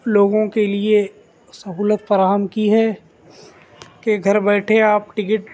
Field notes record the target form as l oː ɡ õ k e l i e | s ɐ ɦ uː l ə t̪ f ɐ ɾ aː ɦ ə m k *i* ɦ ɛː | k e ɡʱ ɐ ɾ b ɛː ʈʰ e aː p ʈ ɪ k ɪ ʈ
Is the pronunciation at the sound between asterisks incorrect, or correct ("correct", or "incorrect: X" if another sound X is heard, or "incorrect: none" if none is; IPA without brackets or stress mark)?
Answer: correct